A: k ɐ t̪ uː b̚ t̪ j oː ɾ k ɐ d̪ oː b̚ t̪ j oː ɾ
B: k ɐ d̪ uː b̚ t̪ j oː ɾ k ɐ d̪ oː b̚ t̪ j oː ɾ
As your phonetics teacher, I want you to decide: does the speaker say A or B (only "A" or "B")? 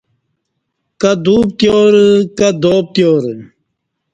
B